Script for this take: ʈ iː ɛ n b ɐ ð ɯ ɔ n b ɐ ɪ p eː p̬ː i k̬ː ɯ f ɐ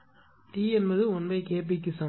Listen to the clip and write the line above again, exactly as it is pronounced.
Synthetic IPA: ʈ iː ɛ n b ɐ ð ɯ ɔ n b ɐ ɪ k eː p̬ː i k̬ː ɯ s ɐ

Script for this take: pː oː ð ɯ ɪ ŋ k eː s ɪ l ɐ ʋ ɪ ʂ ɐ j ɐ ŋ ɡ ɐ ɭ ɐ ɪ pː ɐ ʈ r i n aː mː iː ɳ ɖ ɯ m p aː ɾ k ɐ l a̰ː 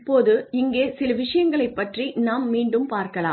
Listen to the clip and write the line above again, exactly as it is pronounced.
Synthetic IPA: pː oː ð ɯ ɪ ŋ ɡ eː s ɪ l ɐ ʋ ɪ ʂ ɐ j ɐ ŋ ɡ ɐ ɭ ɐ ɪ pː ɐ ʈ r i n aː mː iː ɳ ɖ ɯ m p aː ɾ k ɐ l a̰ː

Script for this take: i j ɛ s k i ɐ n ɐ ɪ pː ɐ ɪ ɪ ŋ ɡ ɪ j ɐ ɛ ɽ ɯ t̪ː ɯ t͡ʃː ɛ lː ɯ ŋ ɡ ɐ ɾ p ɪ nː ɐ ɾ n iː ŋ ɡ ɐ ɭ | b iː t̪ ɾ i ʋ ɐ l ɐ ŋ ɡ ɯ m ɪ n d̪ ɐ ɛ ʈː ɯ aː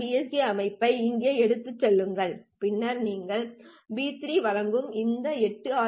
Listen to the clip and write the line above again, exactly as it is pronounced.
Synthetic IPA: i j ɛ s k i ɐ m ɐ ɪ pː ɐ ɪ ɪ ŋ ɡ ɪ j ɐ ɛ ɽ ɯ t̪ː ɯ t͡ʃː ɛ lː ɯ ŋ ɡ ɐ ɭ p ɪ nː ɐ ɾ n iː ŋ ɡ ɐ ɭ | b iː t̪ ɾ i ʋ ɐ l ɐ ŋ ɡ ɯ m ɪ n d̪ ɐ ɛ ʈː ɯ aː

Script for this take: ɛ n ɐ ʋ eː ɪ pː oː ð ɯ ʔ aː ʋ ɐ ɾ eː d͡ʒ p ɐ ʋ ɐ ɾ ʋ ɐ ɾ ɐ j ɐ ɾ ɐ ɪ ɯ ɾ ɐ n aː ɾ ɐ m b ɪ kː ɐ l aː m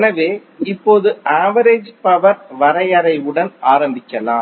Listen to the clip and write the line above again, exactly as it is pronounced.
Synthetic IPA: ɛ n ɐ ʋ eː ɪ pː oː ð ɯ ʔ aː ʋ ɐ ɾ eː d͡ʒ p ɐ ʋ ɐ ɾ ʋ ɐ ɾ ɐ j ɐ ɾ ɐ ɪ ɯ ɽ ɐ n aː ɾ ɐ m b ɪ kː ɐ l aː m

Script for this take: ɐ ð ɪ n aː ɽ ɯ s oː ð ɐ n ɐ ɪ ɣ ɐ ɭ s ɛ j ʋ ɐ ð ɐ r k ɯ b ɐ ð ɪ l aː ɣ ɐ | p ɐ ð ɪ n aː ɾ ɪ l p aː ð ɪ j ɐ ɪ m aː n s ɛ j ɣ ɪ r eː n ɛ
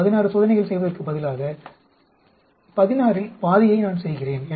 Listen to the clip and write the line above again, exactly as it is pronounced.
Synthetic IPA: ɐ ð ɪ n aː ɾ ɯ s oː ð ɐ n ɐ ɪ ɣ ɐ ɭ s ɛ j ʋ ɐ ð ɐ r k ɯ b ɐ ð ɪ l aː ɣ ɐ | p ɐ ð ɪ n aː ɾ ɪ l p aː ð ɪ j ɐ ɪ n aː n s ɛ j ɣ ɪ r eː n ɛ

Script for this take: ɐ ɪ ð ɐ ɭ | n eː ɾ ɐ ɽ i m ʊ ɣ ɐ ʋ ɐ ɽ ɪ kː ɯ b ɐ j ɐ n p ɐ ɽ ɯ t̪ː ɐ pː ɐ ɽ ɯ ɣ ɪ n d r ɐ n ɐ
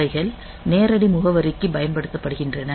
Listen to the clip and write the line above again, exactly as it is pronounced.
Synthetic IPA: ɐ ɪ ɣ ɐ ɭ | n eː ɾ ɐ ɽ i m ʊ ɣ ɐ ʋ ɐ ɾ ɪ kː ɯ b ɐ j ɐ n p ɐ ɽ ɯ t̪ː ɐ pː ɐ ɽ ɯ ɣ ɪ n d r ɐ n ɐ

